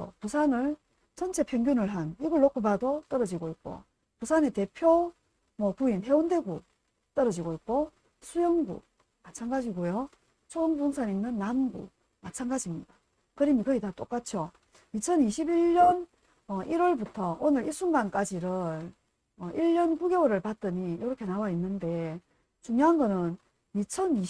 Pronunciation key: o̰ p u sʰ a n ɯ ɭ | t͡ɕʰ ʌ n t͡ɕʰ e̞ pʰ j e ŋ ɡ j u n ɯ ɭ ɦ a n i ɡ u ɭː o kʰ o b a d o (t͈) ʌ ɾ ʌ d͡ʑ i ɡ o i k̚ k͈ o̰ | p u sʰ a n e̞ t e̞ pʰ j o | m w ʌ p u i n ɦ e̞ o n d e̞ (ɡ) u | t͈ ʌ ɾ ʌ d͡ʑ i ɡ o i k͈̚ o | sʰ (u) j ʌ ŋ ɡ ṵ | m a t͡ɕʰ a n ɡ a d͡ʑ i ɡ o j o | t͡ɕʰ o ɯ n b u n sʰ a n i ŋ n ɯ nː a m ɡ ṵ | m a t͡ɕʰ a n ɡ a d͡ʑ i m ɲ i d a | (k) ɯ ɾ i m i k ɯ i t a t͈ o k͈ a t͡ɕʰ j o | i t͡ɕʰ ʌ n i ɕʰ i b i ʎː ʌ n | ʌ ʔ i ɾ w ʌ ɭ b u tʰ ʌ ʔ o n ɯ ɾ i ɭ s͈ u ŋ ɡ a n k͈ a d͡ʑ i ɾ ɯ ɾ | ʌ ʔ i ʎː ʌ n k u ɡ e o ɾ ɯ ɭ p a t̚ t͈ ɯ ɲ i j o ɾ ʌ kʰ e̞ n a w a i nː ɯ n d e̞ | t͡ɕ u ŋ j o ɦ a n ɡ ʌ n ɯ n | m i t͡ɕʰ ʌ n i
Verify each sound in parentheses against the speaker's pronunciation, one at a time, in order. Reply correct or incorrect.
correct, correct, correct, correct

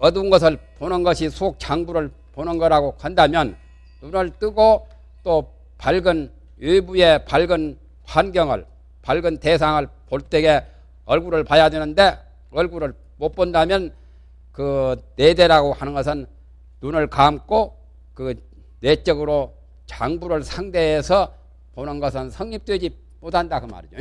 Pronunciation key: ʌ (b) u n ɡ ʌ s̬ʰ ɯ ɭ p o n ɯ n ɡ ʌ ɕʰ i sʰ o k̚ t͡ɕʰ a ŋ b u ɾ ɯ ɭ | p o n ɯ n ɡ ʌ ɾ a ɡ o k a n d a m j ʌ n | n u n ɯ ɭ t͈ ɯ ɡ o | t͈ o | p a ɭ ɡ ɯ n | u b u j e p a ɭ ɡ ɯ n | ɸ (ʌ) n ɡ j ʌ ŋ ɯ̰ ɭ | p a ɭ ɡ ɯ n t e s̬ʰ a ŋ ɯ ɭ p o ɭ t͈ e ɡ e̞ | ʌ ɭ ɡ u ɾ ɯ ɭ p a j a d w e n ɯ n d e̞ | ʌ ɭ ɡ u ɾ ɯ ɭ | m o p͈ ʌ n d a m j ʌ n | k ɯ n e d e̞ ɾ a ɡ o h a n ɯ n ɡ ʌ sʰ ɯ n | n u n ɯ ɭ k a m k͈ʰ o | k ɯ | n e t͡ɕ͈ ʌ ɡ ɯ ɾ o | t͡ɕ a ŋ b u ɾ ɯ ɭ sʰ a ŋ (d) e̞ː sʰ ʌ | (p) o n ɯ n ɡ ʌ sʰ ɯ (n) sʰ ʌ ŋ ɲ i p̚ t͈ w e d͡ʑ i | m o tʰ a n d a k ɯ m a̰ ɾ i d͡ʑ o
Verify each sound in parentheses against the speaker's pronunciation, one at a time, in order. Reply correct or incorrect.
incorrect, incorrect, correct, correct, correct

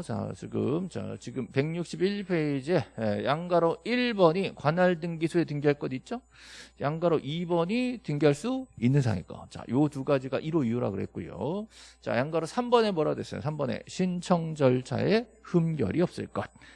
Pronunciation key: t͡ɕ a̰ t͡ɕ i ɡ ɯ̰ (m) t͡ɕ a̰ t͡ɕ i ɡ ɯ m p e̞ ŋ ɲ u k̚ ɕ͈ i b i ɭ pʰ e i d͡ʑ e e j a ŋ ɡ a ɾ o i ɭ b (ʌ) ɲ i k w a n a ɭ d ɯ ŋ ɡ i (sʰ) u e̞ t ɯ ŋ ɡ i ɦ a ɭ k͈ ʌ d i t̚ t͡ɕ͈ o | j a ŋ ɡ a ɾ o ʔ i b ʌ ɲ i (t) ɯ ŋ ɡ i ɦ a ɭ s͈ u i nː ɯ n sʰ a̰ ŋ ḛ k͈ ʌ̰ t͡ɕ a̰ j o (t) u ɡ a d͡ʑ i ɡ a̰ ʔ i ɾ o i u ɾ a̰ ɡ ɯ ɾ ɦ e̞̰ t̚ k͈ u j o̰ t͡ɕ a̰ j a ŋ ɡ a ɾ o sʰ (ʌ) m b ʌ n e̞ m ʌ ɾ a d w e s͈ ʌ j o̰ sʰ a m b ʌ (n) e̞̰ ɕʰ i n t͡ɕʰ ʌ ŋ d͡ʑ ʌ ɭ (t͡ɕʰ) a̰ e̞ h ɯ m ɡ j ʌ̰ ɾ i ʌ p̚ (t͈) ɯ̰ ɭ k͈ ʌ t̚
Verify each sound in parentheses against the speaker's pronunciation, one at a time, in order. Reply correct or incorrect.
correct, correct, correct, correct, correct, incorrect, correct, correct, incorrect

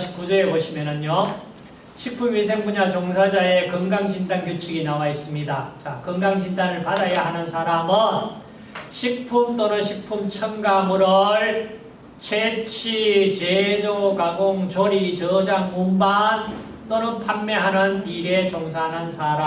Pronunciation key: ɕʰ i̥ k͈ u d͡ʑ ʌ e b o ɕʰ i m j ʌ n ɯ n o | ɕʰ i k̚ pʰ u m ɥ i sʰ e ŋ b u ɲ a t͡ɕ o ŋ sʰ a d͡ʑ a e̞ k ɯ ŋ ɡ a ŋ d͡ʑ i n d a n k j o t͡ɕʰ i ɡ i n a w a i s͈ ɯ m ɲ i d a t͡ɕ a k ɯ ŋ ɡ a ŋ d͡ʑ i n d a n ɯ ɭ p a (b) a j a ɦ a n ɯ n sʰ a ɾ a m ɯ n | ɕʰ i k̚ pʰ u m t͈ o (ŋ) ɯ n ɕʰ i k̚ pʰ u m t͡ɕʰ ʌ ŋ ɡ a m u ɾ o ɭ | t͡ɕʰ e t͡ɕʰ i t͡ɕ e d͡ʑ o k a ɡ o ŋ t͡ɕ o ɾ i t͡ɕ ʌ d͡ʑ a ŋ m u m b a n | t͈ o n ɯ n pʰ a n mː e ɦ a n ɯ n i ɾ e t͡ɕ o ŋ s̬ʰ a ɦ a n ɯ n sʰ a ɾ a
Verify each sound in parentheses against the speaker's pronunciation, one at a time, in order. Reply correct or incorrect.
incorrect, incorrect

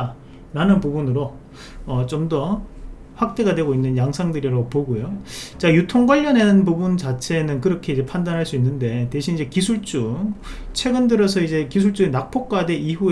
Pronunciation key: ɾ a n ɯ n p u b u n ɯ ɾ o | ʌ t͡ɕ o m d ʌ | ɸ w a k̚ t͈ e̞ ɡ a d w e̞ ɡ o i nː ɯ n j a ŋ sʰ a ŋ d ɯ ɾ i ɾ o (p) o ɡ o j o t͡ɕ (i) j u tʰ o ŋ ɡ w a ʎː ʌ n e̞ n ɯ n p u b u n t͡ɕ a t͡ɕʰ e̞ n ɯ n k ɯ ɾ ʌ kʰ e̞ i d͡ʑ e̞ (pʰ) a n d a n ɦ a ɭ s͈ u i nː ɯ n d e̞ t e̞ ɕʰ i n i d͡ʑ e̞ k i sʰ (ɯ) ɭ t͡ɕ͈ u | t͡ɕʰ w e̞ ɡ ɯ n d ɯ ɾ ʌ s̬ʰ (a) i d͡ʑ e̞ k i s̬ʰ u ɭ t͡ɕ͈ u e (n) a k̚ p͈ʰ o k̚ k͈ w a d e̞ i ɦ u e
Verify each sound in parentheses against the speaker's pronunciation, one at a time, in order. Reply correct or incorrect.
correct, incorrect, correct, incorrect, incorrect, correct

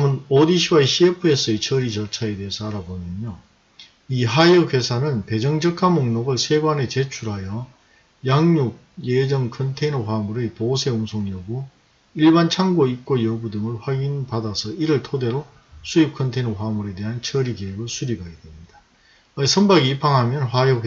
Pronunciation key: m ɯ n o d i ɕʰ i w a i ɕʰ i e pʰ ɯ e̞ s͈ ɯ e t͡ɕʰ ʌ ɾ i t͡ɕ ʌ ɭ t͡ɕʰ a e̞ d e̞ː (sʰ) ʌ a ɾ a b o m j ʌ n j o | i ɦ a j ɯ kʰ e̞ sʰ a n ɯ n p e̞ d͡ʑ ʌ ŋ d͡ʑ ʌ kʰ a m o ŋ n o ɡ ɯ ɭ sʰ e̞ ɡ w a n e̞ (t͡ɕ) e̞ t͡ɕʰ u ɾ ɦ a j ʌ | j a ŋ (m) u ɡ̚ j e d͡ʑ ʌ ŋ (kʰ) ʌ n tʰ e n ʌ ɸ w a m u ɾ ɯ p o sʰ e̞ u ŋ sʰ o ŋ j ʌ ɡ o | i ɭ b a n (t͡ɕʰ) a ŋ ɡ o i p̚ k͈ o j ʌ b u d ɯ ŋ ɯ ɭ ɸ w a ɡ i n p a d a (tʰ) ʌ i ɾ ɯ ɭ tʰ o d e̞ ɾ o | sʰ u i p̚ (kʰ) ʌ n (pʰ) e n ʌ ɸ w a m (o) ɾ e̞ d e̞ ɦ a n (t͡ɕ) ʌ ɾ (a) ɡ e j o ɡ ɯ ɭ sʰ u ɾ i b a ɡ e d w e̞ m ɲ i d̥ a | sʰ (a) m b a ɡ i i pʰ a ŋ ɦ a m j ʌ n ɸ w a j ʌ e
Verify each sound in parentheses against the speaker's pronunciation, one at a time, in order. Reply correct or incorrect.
correct, correct, incorrect, correct, correct, incorrect, correct, incorrect, incorrect, incorrect, incorrect, incorrect

